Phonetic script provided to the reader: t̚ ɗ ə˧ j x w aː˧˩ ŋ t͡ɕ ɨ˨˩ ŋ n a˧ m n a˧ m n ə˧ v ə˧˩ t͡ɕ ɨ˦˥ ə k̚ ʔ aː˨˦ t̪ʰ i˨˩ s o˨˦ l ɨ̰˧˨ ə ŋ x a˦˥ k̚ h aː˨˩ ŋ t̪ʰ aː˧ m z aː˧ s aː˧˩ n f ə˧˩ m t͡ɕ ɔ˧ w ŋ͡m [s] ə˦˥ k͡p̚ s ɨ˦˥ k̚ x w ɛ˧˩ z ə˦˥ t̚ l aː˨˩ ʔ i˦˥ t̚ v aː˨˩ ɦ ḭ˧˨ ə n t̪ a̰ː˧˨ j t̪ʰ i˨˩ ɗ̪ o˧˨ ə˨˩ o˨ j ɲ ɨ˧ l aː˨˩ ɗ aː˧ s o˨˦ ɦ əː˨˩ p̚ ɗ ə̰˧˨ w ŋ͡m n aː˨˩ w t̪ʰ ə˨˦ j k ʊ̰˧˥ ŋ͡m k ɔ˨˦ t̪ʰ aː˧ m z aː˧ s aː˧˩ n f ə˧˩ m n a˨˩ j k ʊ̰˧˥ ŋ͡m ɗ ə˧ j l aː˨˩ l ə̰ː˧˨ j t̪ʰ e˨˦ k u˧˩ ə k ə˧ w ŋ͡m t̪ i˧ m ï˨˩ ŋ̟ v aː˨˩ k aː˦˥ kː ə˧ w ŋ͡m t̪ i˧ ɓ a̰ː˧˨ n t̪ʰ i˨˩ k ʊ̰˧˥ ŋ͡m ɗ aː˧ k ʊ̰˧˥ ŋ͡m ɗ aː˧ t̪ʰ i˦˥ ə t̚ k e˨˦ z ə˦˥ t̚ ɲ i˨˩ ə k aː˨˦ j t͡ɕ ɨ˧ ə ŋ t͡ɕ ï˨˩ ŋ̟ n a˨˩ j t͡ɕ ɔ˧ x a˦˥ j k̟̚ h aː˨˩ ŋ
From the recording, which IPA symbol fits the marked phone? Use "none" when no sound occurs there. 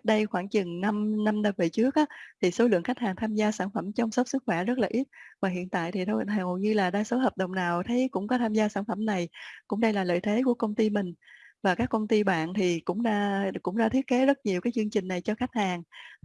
s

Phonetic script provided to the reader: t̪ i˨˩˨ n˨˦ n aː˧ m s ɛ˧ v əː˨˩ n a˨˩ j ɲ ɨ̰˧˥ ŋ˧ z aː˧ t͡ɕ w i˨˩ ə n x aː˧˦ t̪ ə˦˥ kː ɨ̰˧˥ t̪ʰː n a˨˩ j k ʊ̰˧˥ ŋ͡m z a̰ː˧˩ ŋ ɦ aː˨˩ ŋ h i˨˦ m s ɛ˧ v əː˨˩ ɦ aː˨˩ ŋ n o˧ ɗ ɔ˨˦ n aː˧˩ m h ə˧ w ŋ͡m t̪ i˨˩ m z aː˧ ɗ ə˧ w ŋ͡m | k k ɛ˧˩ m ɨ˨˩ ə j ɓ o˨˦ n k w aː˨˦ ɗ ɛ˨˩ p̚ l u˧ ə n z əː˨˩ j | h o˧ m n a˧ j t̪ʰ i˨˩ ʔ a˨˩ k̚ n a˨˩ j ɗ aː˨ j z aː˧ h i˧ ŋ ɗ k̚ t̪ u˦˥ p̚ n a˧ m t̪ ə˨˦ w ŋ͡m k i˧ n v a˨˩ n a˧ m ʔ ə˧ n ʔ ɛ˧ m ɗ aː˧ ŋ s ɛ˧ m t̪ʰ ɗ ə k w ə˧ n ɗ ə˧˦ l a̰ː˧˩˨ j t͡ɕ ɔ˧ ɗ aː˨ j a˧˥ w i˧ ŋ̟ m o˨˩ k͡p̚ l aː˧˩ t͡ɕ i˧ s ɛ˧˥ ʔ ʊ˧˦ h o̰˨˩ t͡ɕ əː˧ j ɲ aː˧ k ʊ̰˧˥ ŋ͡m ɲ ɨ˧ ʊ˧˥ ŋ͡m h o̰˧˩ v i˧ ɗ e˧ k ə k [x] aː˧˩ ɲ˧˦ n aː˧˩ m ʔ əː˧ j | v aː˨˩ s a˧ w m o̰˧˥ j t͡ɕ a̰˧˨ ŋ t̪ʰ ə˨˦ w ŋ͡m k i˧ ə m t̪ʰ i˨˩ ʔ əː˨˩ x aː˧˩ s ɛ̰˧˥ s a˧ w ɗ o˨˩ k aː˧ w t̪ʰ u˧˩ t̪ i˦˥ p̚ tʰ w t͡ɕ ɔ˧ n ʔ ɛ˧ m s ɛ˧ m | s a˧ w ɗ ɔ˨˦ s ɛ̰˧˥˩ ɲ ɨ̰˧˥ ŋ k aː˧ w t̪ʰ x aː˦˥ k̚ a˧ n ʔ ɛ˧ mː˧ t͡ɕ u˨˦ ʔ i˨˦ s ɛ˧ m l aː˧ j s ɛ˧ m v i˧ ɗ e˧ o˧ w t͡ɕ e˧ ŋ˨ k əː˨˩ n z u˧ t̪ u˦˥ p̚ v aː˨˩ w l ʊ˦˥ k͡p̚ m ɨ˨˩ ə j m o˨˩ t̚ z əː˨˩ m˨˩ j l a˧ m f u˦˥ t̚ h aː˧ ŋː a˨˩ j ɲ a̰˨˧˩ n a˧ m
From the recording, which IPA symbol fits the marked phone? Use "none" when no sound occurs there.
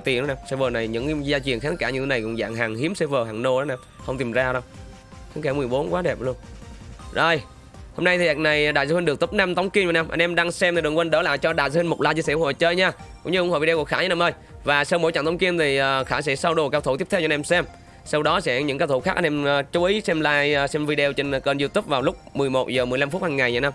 x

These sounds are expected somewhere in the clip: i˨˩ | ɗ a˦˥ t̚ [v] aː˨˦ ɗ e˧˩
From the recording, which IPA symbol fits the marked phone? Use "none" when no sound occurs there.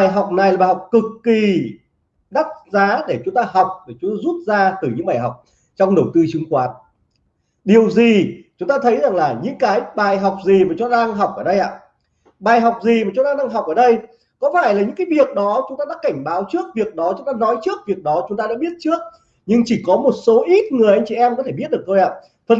z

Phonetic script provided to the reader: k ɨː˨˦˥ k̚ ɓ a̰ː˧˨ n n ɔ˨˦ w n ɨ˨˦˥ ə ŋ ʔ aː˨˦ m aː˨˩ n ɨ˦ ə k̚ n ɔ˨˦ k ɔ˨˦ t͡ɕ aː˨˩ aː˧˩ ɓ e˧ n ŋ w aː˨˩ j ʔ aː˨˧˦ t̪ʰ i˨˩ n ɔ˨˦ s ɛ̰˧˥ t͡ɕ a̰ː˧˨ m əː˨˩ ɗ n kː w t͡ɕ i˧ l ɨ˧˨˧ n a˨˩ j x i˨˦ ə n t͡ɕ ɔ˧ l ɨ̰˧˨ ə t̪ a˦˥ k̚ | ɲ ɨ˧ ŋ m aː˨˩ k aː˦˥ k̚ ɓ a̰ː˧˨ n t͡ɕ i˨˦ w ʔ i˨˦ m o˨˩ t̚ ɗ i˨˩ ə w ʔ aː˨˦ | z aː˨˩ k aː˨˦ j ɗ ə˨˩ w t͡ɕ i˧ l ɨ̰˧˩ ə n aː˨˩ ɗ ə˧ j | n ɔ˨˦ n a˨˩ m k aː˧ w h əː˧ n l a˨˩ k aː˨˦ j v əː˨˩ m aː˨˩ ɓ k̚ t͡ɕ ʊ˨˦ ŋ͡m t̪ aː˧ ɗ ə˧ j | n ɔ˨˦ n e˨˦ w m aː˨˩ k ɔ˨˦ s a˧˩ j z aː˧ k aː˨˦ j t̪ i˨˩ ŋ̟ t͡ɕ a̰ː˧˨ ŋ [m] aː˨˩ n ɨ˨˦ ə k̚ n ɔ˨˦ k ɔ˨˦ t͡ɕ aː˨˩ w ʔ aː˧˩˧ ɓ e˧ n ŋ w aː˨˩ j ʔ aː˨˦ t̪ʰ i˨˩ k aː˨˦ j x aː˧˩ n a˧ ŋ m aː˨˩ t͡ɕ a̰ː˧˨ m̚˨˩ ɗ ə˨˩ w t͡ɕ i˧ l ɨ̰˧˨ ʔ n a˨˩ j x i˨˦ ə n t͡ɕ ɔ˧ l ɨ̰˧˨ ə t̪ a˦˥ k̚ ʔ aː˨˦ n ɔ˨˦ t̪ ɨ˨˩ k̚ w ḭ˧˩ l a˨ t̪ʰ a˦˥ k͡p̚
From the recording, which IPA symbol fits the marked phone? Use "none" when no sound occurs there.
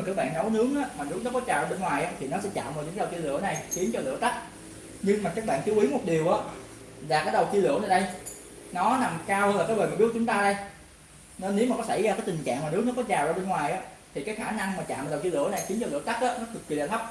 m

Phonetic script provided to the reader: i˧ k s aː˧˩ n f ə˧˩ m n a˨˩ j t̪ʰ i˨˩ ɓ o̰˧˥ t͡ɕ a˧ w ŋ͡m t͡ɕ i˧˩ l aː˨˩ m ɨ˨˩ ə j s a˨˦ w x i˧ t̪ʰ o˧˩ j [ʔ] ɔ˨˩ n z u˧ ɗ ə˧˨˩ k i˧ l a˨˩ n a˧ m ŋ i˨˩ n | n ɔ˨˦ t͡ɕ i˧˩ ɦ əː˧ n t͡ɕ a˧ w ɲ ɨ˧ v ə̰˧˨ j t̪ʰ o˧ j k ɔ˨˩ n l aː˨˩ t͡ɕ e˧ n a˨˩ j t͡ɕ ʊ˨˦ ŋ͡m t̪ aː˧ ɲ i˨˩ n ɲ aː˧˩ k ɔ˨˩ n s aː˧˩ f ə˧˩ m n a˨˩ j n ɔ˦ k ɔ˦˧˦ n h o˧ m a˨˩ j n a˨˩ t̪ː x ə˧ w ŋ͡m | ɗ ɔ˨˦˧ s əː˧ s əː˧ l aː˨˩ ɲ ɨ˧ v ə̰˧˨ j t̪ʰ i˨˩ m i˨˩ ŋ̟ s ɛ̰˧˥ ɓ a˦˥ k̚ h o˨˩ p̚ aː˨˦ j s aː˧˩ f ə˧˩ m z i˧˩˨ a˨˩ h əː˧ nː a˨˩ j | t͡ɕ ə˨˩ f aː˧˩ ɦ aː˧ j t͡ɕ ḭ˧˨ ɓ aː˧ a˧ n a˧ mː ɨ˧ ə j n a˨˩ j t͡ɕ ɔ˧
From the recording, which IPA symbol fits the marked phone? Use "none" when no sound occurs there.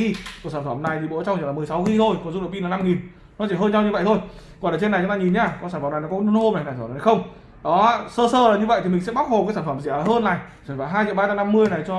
k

